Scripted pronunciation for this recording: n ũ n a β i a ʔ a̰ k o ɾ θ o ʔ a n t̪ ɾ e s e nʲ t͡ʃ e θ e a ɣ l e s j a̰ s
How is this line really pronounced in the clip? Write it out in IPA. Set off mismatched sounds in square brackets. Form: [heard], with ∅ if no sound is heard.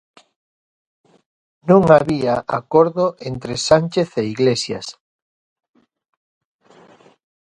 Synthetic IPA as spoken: n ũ [ŋ] a β i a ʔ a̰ k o ɾ [ð] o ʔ [e] n t̪ ɾ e s [a] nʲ t͡ʃ e θ e [i] ɣ l e s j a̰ s